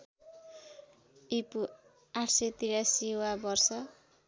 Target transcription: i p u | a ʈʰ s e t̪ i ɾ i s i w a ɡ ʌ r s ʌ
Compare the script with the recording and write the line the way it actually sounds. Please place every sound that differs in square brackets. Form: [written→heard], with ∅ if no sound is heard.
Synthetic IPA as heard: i p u | a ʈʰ s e t̪ i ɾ [i→a] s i w a [ɡ→b] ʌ r s ʌ